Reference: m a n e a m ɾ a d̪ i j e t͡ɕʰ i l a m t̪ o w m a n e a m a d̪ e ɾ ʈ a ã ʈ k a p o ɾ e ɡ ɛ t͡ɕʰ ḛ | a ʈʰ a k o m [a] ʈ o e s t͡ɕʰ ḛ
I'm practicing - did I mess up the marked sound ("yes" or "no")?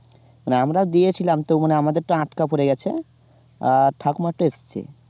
no